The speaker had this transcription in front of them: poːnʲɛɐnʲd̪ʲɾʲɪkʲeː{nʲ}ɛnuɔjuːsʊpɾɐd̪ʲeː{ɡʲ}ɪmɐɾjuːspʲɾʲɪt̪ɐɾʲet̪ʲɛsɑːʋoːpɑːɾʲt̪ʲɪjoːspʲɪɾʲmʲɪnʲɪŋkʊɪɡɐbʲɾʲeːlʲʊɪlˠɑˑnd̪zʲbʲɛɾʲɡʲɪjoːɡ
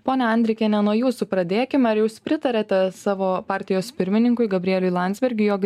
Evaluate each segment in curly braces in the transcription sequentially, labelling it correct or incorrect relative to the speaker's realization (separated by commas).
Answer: correct, incorrect